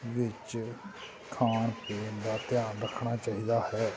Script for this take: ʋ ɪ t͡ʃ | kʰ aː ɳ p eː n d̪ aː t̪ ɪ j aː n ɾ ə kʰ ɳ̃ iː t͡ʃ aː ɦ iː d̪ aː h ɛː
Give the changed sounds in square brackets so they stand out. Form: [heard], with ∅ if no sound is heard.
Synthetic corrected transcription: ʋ ɪ t͡ʃ | kʰ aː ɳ p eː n d̪ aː t̪ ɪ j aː n ɾ ə kʰ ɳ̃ [aː] t͡ʃ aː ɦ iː d̪ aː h ɛː